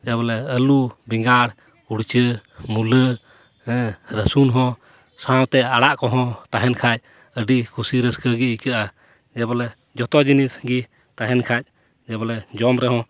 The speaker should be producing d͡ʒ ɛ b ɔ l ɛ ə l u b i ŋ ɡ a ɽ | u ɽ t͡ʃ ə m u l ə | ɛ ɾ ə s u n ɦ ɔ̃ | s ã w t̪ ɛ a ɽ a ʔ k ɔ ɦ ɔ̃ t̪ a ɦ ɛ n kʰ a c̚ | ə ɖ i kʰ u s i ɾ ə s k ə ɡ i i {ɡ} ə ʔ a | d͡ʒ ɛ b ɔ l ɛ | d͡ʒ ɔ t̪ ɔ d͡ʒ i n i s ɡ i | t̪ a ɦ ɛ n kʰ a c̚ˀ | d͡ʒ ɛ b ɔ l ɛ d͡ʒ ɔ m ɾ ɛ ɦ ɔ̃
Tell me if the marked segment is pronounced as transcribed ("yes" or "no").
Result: no